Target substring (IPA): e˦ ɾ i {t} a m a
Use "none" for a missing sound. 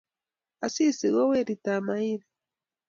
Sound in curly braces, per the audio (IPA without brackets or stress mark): t